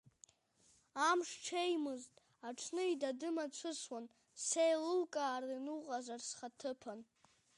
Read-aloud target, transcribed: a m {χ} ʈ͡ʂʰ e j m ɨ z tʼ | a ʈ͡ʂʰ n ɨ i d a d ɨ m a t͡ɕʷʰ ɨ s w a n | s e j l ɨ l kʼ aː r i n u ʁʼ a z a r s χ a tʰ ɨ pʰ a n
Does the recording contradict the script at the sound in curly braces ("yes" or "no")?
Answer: yes